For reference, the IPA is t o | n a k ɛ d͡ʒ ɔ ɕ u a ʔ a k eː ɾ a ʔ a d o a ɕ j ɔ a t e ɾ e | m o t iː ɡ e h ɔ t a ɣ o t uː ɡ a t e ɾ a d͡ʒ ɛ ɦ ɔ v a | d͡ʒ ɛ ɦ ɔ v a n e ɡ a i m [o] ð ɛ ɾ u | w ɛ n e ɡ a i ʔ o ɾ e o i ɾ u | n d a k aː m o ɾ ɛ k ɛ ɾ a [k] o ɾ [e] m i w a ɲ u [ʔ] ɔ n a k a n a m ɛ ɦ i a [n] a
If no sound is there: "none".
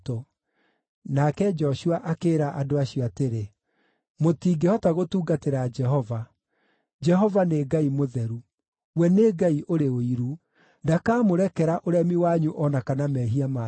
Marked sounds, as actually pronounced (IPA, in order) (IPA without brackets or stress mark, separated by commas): o, ʔ, ɛ, ʔ, m